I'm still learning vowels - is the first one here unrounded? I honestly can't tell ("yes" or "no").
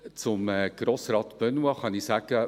no